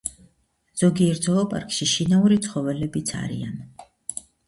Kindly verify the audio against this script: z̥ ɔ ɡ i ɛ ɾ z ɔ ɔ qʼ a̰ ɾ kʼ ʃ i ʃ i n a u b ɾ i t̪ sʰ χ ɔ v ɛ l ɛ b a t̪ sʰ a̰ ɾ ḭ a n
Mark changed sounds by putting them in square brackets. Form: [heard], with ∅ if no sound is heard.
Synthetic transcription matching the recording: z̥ ɔ ɡ i ɛ ɾ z ɔ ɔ [pʼ] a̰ ɾ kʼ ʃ i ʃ i n a u [∅] ɾ i t̪ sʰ χ ɔ v ɛ l ɛ b [i] t̪ sʰ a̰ ɾ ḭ a n